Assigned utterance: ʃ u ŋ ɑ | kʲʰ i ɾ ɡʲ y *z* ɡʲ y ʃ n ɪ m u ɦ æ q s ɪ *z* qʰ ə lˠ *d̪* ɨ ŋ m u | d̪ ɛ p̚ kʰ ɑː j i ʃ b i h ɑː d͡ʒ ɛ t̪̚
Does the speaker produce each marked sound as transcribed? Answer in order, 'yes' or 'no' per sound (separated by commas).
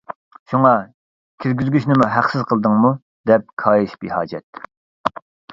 yes, yes, yes